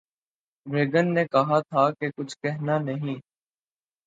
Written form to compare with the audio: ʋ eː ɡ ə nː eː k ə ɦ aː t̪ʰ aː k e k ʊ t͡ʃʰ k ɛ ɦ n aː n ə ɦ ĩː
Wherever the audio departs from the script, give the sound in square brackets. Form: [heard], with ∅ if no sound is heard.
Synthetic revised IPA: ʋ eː ɡ ə nː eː k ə ɦ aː t̪ʰ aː k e k ʊ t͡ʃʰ k ɛ ɦ n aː n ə ɦ ĩː